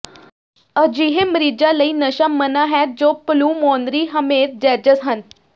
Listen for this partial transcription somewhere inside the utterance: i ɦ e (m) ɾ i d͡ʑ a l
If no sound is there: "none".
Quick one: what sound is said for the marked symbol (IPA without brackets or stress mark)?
m